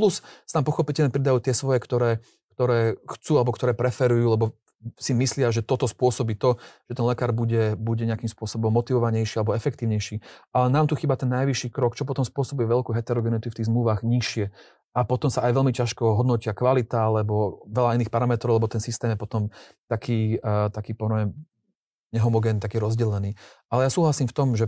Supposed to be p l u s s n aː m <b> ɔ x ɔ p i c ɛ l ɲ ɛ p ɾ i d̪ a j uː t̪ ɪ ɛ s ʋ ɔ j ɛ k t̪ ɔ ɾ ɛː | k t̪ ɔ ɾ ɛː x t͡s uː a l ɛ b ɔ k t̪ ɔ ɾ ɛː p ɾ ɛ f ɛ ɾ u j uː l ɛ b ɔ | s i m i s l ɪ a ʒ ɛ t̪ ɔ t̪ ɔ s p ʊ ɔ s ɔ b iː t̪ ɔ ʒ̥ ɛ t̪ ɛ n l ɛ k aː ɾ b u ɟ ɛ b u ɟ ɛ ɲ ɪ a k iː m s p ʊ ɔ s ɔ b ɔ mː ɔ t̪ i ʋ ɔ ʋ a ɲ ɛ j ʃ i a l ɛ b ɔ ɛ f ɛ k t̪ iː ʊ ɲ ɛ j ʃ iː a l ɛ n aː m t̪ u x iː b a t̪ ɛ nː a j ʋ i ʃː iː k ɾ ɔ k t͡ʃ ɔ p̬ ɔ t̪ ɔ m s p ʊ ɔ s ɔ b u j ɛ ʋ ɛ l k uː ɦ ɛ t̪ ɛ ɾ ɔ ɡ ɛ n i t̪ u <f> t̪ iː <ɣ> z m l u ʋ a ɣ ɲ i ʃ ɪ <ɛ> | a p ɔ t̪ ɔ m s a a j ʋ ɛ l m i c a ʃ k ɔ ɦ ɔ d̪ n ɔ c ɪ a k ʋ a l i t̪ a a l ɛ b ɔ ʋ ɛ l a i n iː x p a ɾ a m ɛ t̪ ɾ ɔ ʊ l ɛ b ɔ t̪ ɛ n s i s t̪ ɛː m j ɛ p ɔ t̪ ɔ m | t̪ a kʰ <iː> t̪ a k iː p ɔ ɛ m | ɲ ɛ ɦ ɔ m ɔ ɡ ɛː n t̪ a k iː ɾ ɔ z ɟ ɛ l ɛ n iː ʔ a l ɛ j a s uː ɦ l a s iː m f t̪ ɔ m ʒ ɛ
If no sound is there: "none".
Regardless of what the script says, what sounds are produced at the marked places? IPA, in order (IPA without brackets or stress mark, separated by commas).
p, f, ɣ, ɛ, iː